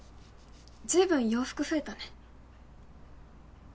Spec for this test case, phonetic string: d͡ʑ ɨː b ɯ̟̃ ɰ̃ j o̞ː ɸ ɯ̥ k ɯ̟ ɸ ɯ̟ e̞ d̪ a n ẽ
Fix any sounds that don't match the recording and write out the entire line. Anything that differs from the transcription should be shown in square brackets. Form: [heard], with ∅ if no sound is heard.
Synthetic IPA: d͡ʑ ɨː b ɯ̟̃ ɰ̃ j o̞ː ɸ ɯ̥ k ɯ̟ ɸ ɯ̟ e̞ [t̪] a n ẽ